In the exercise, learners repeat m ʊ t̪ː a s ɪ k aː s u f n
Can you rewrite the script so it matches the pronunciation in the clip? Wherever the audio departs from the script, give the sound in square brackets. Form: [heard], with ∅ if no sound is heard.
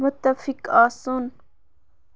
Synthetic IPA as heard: m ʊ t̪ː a [f] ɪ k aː s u [∅] n

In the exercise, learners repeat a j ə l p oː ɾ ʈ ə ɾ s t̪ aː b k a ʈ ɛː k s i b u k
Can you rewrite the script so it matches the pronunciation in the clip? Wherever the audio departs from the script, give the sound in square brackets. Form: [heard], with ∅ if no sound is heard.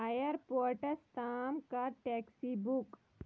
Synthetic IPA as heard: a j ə [ɾ] p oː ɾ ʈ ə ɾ s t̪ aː [m] k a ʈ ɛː k s i b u k

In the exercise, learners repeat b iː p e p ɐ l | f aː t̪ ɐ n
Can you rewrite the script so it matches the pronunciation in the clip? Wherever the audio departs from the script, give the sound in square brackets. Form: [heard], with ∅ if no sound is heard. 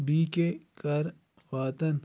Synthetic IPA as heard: b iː [k] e [k] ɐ [ɾ] | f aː t̪ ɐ n

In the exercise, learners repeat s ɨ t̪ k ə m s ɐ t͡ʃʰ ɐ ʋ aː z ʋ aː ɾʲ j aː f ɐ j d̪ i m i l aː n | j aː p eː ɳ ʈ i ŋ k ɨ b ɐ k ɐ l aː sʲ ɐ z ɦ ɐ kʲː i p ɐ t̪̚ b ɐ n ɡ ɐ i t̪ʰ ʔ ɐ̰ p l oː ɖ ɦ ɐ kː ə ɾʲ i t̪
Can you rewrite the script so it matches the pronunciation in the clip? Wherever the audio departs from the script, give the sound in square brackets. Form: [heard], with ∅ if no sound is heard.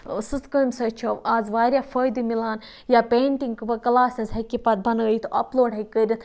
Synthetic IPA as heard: s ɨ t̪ k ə m s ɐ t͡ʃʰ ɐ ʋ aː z ʋ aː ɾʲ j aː f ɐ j d̪ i m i l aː n | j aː p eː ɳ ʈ i ŋ k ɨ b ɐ k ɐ l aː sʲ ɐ z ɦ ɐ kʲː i p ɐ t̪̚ b ɐ n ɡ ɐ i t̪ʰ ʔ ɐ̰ p l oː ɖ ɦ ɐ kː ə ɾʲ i t̪

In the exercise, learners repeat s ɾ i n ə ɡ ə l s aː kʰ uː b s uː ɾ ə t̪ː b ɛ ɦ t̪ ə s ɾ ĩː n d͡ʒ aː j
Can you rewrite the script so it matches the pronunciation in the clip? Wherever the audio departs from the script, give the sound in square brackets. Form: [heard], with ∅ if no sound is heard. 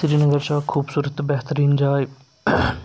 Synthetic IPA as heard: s ɾ i n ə ɡ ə [ɾ] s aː kʰ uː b s uː ɾ ə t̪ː b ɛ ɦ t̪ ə [∅] ɾ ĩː n d͡ʒ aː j

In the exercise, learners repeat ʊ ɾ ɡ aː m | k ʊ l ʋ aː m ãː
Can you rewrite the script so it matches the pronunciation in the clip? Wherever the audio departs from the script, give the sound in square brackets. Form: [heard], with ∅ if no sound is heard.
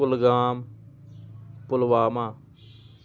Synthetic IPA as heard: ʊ [l] ɡ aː m | [p] ʊ l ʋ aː m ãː

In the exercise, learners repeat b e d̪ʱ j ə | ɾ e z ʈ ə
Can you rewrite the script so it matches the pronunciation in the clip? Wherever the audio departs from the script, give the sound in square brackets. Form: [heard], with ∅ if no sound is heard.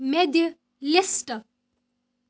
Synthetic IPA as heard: [m] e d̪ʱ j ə | [l] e [s] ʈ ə

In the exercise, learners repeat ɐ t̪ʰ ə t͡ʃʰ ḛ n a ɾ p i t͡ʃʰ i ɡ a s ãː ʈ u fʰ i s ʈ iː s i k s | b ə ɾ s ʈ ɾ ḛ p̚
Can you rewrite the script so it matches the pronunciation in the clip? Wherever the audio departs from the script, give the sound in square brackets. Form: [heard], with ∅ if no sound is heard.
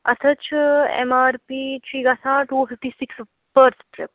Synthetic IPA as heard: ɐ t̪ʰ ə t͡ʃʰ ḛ [m] a ɾ p i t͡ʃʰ i ɡ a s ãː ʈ u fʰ i [f] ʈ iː s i k s | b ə ɾ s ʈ ɾ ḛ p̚

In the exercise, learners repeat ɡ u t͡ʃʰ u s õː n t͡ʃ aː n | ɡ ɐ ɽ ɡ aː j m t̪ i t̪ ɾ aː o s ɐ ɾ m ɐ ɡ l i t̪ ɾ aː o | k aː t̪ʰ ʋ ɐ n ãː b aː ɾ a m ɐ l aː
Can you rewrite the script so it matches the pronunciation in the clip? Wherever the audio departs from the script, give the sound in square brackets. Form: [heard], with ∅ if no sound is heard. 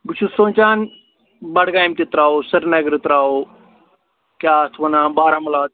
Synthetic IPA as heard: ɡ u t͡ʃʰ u s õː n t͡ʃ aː n | [b] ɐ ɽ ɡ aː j m t̪ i t̪ ɾ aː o s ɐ ɾ [n] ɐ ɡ [ɾ] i t̪ ɾ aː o | k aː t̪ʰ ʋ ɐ n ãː b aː ɾ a m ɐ l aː

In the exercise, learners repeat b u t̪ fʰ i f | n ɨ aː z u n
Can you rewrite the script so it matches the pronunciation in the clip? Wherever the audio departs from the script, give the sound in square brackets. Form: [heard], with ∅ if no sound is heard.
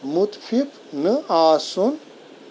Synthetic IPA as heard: [m] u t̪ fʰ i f | n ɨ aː [s] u n

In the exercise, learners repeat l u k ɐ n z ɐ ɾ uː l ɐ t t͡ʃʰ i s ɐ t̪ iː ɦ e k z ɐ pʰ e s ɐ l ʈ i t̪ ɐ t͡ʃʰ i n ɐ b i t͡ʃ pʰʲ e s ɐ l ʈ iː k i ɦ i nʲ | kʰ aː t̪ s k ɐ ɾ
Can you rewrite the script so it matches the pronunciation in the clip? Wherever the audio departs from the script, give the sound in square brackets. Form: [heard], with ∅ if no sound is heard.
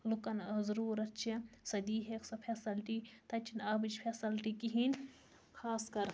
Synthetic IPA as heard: l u k ɐ n z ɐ ɾ uː [ɾ] ɐ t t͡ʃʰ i s ɐ [d̪] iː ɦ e k [s] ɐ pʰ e s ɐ l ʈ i t̪ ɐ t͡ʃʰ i n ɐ b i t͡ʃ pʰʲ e s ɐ l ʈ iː k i ɦ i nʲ | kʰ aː [∅] s k ɐ ɾ

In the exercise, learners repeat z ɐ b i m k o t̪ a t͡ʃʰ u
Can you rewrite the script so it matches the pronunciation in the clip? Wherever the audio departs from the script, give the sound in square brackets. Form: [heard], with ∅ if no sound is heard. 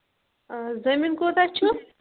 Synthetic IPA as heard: z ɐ [m] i [n] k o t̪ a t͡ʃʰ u

